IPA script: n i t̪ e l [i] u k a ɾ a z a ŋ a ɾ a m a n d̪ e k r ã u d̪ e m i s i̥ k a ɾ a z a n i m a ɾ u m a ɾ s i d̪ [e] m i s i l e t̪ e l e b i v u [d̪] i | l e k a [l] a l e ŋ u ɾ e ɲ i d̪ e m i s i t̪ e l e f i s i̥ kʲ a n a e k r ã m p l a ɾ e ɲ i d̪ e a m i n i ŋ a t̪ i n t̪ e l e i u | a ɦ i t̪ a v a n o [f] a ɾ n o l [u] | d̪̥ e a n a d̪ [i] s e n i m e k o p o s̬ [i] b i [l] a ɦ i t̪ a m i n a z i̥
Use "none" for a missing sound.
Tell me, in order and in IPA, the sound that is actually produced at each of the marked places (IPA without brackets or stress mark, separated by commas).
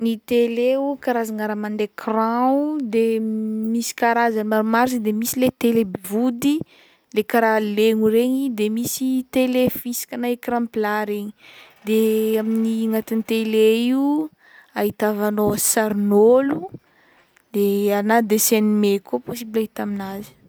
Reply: e, e, d̪, ɾ, s, u, e, i, l